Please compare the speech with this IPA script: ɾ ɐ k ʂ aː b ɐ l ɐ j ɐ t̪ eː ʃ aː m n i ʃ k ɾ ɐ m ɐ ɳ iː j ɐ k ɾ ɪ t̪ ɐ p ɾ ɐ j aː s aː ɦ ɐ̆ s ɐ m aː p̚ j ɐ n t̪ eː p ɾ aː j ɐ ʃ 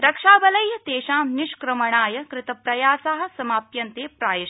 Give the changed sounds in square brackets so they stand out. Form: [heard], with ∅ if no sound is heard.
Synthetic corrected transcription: ɾ ɐ k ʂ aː b ɐ l ɐ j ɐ t̪ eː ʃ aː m n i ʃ k ɾ ɐ m ɐ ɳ [aː] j ɐ k ɾ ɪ t̪ ɐ p ɾ ɐ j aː s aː ɦ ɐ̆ s ɐ m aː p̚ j ɐ n t̪ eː p ɾ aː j ɐ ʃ

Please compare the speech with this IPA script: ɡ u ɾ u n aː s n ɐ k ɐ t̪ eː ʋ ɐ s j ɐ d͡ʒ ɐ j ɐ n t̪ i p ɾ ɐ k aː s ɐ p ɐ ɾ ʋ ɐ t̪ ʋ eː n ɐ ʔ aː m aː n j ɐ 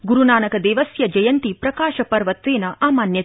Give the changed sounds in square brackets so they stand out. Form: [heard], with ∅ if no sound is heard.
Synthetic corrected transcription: ɡ u ɾ u n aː [∅] n ɐ k ɐ [d̪] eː ʋ ɐ s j ɐ d͡ʒ ɐ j ɐ n t̪ i p ɾ ɐ k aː [ʃ] ɐ p ɐ ɾ ʋ ɐ t̪ ʋ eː n ɐ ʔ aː m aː n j ɐ

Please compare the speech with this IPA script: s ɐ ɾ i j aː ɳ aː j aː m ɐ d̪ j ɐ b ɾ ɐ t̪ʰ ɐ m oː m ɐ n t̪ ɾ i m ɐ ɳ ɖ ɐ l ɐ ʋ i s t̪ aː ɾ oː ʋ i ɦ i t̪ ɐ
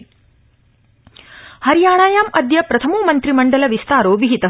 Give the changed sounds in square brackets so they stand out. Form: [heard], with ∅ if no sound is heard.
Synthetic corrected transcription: [h] ɐ ɾ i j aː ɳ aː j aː m ɐ d̪ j ɐ [p] ɾ ɐ t̪ʰ ɐ m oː m ɐ n t̪ ɾ i m ɐ ɳ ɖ ɐ l ɐ ʋ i s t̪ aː ɾ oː ʋ i ɦ i t̪ ɐ

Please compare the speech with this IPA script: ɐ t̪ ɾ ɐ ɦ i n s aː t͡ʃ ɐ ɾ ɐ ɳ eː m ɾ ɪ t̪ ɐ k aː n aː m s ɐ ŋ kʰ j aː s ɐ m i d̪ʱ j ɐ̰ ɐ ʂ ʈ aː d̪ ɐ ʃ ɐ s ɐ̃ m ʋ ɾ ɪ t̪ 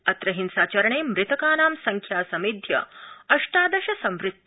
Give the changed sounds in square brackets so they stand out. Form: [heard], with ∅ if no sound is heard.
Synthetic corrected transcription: ɐ t̪ ɾ ɐ ɦ i n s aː t͡ʃ ɐ ɾ ɐ ɳ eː m ɾ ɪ t̪ ɐ k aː n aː m s ɐ ŋ kʰ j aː s ɐ m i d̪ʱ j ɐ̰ ɐ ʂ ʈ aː d̪ ɐ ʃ ɐ s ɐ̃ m ʋ ɾ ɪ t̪

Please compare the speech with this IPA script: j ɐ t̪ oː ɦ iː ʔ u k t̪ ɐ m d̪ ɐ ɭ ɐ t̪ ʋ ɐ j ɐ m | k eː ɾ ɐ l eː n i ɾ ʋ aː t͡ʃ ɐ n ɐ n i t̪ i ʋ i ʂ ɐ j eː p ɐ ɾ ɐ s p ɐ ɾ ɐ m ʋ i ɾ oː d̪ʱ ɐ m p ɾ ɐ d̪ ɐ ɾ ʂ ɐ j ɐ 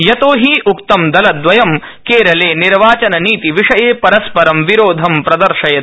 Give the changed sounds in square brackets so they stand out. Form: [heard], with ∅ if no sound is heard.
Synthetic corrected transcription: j ɐ t̪ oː ɦ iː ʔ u k t̪ ɐ m d̪ ɐ [l] ɐ [d̪] ʋ ɐ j ɐ m | k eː ɾ ɐ l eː n i ɾ ʋ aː t͡ʃ ɐ n ɐ n [iː] t̪ i ʋ i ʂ ɐ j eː p ɐ ɾ ɐ s p ɐ ɾ ɐ m ʋ i ɾ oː d̪ʱ ɐ m p ɾ ɐ d̪ ɐ ɾ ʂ ɐ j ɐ

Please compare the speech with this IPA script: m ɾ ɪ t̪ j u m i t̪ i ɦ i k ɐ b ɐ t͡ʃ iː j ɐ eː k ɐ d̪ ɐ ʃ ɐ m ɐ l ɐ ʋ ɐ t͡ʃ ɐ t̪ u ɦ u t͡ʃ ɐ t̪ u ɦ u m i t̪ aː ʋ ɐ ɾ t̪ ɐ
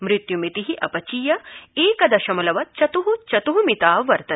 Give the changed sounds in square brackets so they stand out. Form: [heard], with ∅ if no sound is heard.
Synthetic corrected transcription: m ɾ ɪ t̪ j u m i t̪ i ɦ i [ʔ] ɐ [p] ɐ t͡ʃ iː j ɐ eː k ɐ d̪ ɐ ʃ ɐ m ɐ l ɐ ʋ ɐ t͡ʃ ɐ t̪ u ɦ u t͡ʃ ɐ t̪ u ɦ u m i t̪ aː ʋ ɐ ɾ t̪ ɐ

